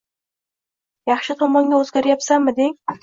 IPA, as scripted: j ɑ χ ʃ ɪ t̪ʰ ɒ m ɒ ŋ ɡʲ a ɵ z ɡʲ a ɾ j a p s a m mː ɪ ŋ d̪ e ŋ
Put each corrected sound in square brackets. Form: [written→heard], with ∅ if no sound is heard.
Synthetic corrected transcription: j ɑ χ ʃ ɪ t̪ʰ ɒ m ɒ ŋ ɡʲ a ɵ z ɡʲ a ɾ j a p s a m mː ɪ [ŋ→∅] d̪ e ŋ